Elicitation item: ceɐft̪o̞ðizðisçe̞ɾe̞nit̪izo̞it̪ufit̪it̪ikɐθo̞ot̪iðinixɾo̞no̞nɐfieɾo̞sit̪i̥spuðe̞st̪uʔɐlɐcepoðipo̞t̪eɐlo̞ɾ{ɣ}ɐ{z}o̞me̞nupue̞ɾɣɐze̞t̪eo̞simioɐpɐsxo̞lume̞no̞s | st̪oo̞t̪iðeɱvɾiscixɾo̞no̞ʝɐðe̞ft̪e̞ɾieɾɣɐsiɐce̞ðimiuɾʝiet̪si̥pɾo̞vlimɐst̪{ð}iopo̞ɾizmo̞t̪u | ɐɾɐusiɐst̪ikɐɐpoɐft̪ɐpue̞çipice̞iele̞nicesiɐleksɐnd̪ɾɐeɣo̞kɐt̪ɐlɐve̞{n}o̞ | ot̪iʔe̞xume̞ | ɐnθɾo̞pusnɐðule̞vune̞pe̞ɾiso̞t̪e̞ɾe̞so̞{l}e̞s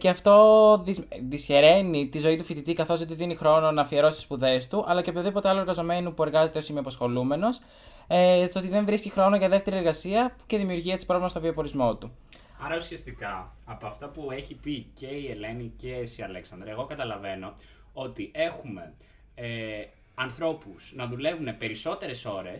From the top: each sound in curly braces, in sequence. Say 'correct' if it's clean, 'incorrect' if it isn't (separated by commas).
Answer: correct, correct, incorrect, correct, incorrect